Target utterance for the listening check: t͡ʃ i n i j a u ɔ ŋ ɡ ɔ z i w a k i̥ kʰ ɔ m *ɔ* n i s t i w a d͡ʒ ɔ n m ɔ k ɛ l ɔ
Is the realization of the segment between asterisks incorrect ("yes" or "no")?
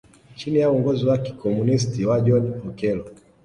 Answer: yes